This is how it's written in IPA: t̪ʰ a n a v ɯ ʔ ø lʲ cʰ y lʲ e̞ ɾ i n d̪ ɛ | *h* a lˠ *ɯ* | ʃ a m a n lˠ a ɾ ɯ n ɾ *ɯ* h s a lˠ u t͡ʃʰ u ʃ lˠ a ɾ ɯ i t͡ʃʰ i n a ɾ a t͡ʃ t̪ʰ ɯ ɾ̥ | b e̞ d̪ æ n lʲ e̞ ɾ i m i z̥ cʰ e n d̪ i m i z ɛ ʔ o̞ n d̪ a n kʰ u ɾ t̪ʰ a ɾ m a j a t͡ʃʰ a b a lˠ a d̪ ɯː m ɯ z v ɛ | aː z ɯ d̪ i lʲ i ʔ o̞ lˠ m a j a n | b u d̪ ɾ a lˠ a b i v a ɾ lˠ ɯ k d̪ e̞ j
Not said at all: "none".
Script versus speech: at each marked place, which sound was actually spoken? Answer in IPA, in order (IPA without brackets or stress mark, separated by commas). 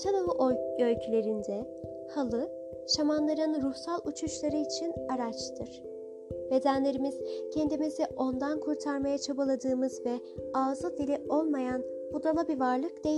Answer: h, ɯ, u